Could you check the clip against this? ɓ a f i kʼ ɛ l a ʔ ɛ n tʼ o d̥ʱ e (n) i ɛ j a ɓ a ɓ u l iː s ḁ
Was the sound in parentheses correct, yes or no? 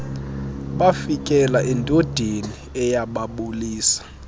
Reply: yes